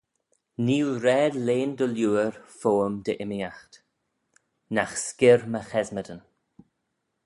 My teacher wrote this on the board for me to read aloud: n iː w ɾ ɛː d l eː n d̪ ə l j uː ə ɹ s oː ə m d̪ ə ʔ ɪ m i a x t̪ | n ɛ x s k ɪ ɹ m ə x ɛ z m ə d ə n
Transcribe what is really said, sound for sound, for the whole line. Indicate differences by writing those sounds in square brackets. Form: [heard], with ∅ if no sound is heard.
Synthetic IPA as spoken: n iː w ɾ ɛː d l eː n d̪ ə l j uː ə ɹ [f] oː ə m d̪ ə ʔ ɪ m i a x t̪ | n [a] x s k ɪ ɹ m ə x ɛ z m ə d ə n